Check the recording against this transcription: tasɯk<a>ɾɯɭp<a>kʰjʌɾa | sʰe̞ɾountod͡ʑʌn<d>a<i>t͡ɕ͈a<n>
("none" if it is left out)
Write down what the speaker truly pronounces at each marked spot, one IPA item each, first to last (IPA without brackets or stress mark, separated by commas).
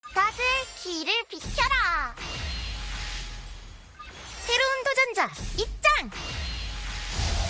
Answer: i, i, d͡ʑ, i, ŋ